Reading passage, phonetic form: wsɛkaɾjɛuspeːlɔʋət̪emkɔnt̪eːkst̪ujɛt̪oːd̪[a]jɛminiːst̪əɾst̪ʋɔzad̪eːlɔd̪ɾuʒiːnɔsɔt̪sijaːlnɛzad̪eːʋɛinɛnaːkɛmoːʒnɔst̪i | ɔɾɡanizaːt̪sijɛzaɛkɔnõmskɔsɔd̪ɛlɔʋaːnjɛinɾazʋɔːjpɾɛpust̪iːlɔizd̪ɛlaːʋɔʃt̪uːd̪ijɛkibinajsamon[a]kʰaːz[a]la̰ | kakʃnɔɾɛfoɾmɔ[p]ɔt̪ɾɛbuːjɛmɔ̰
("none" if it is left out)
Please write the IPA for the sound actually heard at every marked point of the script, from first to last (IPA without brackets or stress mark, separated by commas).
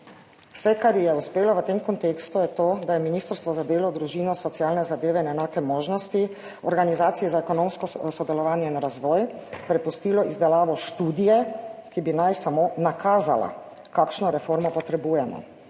a, a, a, p